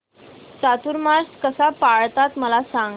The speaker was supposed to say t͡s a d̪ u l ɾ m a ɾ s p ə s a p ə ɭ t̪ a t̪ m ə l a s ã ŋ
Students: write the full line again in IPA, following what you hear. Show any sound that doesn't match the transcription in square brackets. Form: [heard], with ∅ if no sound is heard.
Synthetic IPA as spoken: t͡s a [t̪] u [∅] ɾ m a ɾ s [k] ə s a p [a] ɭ t̪ a t̪ m ə l a s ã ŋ